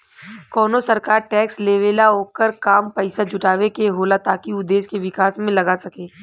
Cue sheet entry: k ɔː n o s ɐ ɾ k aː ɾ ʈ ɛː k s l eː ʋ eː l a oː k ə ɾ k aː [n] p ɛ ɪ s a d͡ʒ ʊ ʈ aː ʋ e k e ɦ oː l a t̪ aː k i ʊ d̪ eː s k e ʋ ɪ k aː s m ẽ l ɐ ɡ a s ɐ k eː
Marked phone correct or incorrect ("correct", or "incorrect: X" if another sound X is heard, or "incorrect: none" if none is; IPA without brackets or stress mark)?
incorrect: m